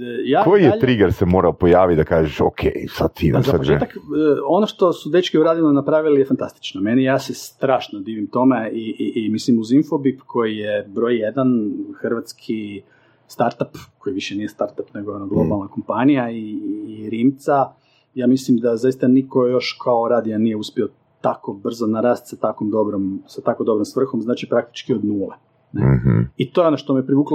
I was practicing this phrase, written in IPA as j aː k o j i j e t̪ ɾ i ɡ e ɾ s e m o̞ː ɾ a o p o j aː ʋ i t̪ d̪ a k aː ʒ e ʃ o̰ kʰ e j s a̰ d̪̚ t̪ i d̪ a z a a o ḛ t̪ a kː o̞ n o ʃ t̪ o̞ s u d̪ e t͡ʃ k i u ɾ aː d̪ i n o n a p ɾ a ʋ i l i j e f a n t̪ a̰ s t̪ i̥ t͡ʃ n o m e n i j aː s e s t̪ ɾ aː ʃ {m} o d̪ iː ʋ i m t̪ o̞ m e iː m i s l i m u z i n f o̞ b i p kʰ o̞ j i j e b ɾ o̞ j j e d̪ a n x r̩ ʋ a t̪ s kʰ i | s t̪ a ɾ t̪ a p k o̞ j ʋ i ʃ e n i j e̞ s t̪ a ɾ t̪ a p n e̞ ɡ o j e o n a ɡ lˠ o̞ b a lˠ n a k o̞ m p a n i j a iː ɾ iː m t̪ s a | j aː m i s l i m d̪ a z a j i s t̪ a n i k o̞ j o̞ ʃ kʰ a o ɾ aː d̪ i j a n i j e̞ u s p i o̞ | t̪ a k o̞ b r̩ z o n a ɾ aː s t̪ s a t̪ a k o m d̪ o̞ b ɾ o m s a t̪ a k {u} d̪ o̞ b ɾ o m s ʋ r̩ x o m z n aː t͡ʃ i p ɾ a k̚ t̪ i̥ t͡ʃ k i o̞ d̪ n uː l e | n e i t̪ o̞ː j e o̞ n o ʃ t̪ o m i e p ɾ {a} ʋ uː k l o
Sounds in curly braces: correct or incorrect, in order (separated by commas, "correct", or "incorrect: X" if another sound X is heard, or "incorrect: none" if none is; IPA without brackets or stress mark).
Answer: incorrect: n, incorrect: o, incorrect: i